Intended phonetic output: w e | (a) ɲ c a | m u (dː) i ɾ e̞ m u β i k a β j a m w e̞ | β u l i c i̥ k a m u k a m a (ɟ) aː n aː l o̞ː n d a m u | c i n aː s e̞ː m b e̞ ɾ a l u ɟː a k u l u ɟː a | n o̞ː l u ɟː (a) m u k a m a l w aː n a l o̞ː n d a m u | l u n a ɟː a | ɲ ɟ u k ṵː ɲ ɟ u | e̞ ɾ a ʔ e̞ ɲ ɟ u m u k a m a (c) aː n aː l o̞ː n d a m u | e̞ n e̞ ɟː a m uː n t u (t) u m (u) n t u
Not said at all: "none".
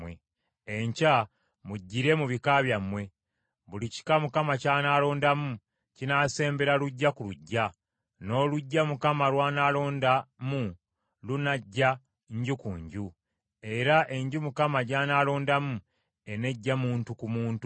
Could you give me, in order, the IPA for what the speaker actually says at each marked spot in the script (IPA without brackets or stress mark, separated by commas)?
e, ɟː, c, a, ɟ, k, uː